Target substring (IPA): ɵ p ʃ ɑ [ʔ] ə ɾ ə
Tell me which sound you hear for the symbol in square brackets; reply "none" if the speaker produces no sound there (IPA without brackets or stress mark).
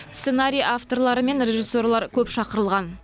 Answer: q